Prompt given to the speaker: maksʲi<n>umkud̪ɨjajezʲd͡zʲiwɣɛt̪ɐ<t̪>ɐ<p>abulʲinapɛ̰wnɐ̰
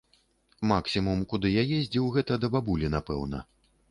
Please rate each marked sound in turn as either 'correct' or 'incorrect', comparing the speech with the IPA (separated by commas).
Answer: incorrect, incorrect, incorrect